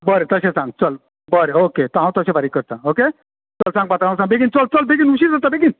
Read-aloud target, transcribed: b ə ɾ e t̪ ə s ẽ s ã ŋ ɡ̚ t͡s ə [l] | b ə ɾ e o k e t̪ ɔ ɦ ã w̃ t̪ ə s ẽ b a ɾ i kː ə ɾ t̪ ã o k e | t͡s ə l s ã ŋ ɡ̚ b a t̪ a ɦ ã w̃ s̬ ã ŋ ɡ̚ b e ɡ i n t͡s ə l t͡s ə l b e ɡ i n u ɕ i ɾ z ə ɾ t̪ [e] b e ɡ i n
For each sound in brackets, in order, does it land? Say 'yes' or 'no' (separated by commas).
yes, no